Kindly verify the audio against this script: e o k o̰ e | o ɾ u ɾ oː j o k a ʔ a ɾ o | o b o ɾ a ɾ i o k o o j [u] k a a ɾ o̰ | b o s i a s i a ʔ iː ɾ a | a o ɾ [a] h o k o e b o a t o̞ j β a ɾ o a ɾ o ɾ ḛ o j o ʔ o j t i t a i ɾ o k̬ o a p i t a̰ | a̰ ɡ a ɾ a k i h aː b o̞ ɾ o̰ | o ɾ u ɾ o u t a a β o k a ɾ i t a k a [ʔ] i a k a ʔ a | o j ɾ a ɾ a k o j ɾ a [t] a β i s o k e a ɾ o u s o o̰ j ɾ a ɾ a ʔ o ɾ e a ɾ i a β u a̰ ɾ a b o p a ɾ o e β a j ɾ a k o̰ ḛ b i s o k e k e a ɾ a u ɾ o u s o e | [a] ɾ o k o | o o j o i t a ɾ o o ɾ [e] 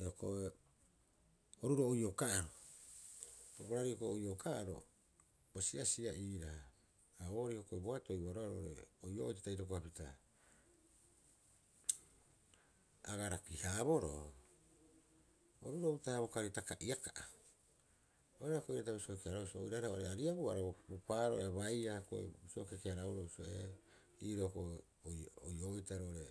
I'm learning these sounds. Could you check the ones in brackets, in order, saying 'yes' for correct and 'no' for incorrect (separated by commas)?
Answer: no, no, yes, yes, no, yes